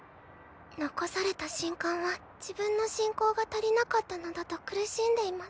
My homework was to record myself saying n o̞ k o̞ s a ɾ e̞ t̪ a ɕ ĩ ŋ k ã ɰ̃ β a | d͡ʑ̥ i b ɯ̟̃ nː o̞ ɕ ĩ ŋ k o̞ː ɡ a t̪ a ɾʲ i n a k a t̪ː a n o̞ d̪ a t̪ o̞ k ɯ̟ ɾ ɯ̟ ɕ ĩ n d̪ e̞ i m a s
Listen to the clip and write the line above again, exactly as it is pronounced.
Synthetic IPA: n o̞ k o̞ s a ɾ e̞ t̪ a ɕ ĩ ŋ k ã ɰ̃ β a | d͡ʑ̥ i b ɯ̟̃ nː o̞ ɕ ĩ ŋ k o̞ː ɡ a t̪ a ɾʲ i n a k a t̪ː a n o̞ d̪ a t̪ o̞ k ɯ̟ ɾ ɯ̟ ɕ ĩ n d̪ e̞ i m a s

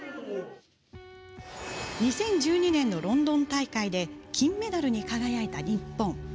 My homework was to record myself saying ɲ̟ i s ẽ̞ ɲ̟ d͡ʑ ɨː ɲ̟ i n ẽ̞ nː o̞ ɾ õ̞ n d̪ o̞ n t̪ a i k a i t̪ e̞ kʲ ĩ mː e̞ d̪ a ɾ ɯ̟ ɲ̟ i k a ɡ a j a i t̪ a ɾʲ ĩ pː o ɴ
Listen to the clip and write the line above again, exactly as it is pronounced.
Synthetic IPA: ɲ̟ i s ẽ̞ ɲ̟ d͡ʑ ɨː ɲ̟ i n ẽ̞ nː o̞ ɾ õ̞ n d̪ õ̞ n t̪ a i k a i d̪ e̞ kʲ ĩ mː e̞ d̪ a ɾ ɯ̟ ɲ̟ i k a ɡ a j a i t̪ a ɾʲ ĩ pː õ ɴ

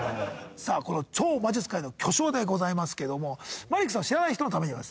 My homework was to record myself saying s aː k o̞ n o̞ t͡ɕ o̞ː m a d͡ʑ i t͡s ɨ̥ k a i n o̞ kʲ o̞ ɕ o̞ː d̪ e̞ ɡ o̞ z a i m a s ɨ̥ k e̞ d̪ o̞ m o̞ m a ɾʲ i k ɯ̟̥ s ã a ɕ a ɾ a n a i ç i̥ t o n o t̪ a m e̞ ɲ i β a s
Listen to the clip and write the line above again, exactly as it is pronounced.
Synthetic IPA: s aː k o̞ n o̞ t͡ɕ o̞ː m a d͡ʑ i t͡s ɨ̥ k a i n o̞ kʲ o̞ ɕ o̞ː d̪ e̞ ɡ o̞ z a i m a s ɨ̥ k e̞ d̪ o̞ m o̞ m a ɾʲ i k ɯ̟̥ s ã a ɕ i ɾ a n a i ç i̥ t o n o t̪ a m e̞ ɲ i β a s

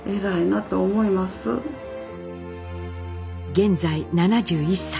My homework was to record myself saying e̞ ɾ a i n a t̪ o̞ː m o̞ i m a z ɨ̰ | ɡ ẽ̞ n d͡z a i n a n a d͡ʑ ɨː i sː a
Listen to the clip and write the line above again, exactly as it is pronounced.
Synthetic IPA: e̞ ɾ a i n a t̪ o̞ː m o̞ i m a s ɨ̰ | ɡ ẽ̞ n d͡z a i n a n a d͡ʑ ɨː i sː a

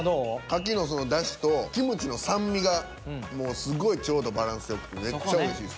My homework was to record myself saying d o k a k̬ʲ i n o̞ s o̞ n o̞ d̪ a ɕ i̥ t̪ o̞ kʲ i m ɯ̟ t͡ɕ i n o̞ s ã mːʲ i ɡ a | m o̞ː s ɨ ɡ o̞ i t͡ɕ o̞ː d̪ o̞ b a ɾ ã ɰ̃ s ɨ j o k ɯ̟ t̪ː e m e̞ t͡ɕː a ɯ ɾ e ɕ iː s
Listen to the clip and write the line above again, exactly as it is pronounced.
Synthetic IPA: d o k a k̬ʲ i n o̞ s o̞ n o̞ d̪ a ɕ i̥ t̪ o̞ kʲ i m ɯ̟ t͡ɕ i n o̞ s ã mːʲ i ɡ a | m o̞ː s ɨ ɡ o̞ i t͡ɕ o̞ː d̪ o̞ b a ɾ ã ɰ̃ s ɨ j o k ɯ̟ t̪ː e m e̞ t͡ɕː a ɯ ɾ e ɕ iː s

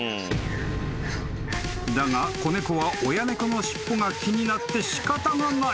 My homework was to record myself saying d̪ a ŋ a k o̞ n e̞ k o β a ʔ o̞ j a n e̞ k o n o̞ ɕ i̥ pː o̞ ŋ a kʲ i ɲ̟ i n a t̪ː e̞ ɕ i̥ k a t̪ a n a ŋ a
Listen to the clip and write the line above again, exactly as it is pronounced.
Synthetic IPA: d̪ a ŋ a k o̞ n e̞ k o β a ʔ o̞ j a n e̞ k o n o̞ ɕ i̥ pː o̞ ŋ a kʲ i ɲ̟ i n a t̪ː e̞ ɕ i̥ k a t̪ a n a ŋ a

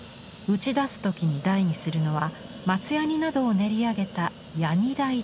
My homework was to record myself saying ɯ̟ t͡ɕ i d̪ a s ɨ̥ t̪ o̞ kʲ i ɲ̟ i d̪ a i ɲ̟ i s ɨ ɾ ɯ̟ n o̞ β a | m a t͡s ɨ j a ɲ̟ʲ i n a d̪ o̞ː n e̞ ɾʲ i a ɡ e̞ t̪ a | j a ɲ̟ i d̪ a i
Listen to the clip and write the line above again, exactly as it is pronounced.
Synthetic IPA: ɯ̟ t͡ɕ i d̪ a s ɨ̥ t̪ o̞ kʲ i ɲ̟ i d̪ a i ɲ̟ i s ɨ ɾ ɯ̟ n o̞ β a | m a t͡s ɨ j a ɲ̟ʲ i n a d̪ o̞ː n e̞ ɾʲ i a ɡ e̞ t̪ a | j a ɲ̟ i d̪ a i

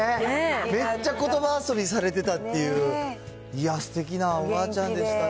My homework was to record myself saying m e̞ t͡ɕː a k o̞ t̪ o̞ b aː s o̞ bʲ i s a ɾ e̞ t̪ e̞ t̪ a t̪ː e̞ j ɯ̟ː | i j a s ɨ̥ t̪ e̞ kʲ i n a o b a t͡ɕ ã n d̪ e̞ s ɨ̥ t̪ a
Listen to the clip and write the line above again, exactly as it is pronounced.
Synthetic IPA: m e̞ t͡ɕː a k o̞ t̪ o̞ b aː s o̞ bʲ i s a ɾ e̞ t̪ e̞ t̪ a t̪ː e̞ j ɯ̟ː | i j a s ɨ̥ t̪ e̞ kʲ i n a o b a t͡ɕ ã n d̪ e̞ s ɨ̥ t̪ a

